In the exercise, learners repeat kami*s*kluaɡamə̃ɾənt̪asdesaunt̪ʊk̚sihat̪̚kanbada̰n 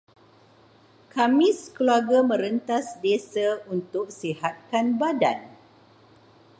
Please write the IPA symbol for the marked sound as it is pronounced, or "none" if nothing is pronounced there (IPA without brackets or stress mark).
s